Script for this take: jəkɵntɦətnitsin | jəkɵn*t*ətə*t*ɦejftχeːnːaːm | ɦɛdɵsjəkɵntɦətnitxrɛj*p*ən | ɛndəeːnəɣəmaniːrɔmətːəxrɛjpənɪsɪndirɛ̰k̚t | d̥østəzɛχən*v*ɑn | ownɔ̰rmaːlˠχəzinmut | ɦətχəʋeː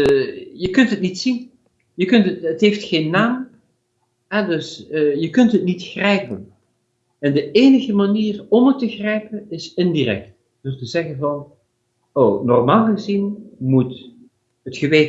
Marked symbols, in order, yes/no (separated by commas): yes, yes, yes, yes